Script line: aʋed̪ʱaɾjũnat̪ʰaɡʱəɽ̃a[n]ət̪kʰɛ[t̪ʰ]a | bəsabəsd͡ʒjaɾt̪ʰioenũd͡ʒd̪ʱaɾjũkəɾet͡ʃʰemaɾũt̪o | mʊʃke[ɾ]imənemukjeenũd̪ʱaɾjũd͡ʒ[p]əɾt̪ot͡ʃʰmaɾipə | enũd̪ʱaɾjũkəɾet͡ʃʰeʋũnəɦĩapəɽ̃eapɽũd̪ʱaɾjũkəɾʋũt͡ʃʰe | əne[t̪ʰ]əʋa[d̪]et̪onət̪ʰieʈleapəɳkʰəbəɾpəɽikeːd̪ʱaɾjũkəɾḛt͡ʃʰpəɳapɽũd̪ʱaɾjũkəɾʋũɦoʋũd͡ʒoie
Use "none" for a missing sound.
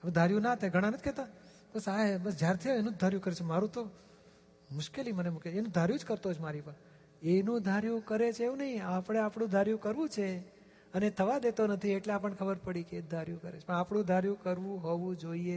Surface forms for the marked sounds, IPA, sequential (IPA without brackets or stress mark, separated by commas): n, t̪, l, k, t̪ʰ, d̪